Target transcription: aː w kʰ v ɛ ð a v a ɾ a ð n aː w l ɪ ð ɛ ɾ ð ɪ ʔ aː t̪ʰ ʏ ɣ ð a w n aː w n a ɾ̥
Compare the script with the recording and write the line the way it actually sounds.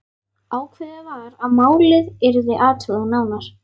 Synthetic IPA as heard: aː w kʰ v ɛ ð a v a ɾ a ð m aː w l ɪ ð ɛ ɾ ð ɪ ʔ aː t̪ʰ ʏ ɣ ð a n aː w n a ɾ̥